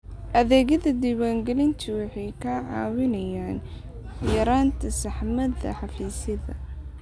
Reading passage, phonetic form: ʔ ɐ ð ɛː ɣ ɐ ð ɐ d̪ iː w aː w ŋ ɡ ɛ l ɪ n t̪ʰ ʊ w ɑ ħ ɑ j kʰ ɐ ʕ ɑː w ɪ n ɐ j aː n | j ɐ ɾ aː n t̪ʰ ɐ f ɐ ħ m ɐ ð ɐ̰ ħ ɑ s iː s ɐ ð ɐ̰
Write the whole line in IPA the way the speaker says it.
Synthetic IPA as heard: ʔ ɐ ð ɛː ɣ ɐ ð ɐ d̪ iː w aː ŋ ɡ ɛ l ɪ n t̪ʰ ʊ w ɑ ħ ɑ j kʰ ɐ ʕ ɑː w ɪ n ɐ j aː n | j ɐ ɾ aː n t̪ʰ ɐ s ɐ ħ m ɐ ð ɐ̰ ħ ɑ f iː s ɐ ð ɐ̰